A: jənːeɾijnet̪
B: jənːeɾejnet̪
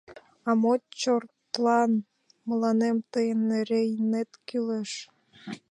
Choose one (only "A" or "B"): B